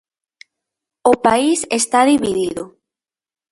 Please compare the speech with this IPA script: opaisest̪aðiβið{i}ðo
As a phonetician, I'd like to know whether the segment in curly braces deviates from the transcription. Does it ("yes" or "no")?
no